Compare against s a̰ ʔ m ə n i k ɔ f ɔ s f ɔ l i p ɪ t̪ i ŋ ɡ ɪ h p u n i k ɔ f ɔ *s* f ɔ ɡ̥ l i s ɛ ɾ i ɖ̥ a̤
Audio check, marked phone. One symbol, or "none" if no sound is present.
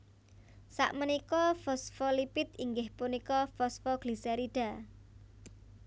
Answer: s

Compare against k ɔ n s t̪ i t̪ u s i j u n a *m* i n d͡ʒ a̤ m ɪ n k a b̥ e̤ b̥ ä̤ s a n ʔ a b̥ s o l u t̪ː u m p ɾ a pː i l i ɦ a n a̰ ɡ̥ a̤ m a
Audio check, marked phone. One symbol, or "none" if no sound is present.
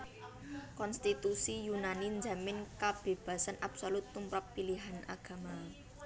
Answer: n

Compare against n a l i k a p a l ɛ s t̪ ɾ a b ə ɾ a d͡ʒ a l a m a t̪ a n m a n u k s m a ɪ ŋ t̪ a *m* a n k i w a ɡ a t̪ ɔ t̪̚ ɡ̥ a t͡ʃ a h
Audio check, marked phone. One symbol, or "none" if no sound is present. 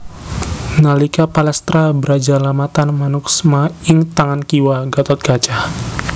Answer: ŋ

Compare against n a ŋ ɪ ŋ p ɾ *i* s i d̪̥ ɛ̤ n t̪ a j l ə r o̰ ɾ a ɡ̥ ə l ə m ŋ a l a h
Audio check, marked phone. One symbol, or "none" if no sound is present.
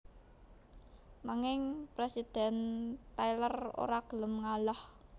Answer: e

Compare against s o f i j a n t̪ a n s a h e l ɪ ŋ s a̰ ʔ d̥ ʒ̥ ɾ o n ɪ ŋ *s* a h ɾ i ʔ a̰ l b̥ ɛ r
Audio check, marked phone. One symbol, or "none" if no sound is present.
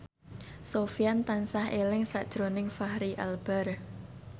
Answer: f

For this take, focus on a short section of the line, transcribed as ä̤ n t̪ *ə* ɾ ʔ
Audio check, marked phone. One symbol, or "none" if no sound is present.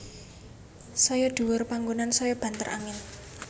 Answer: ə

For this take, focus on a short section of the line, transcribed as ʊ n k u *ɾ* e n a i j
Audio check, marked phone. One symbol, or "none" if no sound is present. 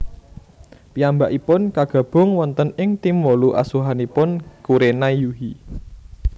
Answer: ɾ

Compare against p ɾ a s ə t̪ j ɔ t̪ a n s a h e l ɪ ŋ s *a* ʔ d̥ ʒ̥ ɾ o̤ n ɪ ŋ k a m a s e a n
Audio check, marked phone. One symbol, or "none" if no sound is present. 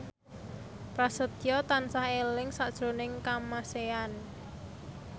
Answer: a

